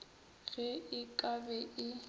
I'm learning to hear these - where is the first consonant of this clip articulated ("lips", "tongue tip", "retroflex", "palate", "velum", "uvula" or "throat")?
velum